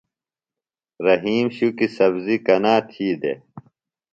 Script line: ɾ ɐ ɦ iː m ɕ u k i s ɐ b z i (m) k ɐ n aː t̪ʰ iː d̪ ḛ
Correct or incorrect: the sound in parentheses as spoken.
incorrect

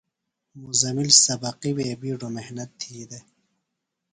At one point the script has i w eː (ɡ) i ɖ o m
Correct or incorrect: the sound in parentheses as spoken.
incorrect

